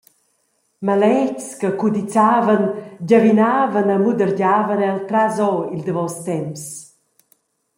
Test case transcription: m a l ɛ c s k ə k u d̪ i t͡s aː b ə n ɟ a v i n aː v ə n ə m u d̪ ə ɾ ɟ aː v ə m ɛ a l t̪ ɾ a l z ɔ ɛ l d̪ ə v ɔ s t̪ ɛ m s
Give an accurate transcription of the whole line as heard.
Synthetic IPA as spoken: m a l ɛ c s k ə k u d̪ i t͡s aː v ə n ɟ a v i n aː v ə n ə m u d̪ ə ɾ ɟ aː v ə n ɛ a l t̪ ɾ a z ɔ i l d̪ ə v ɔ s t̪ ɛ m s

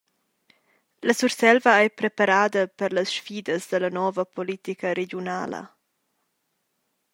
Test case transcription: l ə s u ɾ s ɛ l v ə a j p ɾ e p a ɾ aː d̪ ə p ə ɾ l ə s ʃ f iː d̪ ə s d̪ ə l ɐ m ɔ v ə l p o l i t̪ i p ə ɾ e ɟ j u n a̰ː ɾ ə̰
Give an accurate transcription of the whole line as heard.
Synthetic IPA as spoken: l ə s u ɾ s ɛ l v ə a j p ɾ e p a ɾ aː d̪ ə p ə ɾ l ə s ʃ f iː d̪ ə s d̪ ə l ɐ n ɔ v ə p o l i t̪ i k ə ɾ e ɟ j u n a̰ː l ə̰

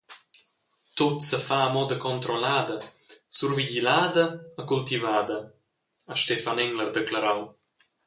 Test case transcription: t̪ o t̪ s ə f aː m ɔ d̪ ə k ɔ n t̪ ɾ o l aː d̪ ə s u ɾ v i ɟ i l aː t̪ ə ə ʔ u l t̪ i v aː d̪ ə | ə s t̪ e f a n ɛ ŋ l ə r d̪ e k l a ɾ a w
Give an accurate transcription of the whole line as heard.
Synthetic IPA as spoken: t̪ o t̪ s ə f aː m ɔ d̪ ə k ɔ n t̪ ɾ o l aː d̪ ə s u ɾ v i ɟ i l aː d̪ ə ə k u l t̪ i v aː d̪ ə | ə ʃ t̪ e f a n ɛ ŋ l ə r d̪ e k l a ɾ a w

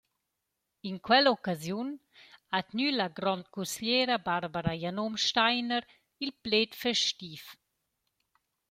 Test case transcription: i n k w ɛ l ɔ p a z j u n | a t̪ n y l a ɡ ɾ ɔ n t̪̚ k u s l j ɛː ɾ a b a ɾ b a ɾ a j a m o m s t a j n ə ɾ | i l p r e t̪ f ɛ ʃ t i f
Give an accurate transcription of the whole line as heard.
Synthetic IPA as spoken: i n k w ɛ l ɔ k a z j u n | a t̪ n y l a ɡ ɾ ɔ n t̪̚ k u s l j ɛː ɾ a b a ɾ b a ɾ a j a n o m ʃ t a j n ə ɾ | i l p l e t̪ f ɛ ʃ t i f

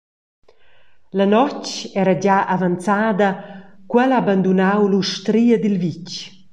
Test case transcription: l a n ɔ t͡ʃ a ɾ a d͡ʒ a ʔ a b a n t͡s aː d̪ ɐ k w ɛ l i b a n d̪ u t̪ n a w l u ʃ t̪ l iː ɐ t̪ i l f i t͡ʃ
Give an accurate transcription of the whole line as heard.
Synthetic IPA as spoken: l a n ɔ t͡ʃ ɛ ɾ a d͡ʒ a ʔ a v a n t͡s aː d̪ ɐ k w ɛ l a b a n d̪ u n a w l u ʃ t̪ ɾ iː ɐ d̪ i l v i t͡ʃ

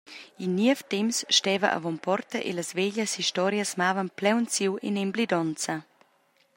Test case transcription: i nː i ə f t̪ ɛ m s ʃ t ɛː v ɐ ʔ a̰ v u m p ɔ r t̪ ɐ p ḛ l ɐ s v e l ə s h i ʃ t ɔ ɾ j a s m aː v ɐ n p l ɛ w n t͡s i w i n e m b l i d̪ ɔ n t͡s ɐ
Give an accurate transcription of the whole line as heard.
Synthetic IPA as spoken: i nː i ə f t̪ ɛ m s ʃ t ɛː v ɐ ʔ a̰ v ɔ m p ɔ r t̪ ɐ ʔ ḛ l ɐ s v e ʎ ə s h i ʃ t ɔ ɾ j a s m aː v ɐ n p l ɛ w n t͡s i w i n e m b l i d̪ ɔ n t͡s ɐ

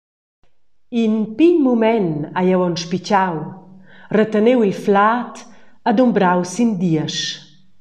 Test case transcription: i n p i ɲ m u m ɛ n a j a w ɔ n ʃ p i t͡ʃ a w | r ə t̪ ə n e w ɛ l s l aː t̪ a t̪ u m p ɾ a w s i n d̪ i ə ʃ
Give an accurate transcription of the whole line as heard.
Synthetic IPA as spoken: i n p i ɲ m u m ɛ n a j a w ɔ n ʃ p i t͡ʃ a w | r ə t̪ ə n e w i l f l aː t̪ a d̪ u m b ɾ a w s i n d̪ i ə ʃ

